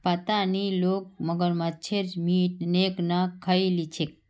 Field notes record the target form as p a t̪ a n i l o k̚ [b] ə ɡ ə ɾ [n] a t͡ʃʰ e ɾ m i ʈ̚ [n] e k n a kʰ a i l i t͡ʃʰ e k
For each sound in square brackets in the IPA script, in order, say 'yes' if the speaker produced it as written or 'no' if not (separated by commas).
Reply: no, no, yes